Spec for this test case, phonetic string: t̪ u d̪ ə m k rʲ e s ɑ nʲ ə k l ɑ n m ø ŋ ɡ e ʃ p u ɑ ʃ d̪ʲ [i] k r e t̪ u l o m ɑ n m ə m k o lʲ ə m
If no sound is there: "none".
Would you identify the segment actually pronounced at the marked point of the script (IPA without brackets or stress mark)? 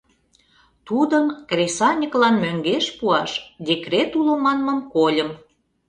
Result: e